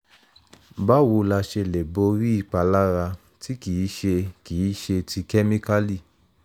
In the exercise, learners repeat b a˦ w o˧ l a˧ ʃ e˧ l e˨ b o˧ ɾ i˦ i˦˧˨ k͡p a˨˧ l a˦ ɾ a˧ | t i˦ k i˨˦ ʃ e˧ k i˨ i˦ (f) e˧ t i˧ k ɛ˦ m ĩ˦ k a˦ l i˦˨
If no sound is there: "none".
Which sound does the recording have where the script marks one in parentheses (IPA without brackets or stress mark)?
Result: ʃ